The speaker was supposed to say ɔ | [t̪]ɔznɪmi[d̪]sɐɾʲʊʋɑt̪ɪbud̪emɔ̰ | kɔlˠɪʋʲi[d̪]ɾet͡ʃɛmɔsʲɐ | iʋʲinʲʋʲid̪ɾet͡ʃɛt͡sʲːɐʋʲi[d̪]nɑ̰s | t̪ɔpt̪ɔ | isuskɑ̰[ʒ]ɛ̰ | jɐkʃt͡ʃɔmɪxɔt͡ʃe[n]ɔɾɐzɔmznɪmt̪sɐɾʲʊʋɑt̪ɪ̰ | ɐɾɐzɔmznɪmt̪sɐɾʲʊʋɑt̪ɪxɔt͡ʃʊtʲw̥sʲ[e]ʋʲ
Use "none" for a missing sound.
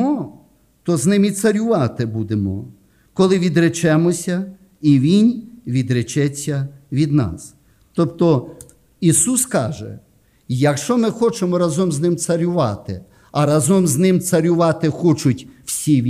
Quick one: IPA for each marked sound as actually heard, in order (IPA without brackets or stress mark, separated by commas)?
t̪, t̪, d̪, d̪, ʒ, m, i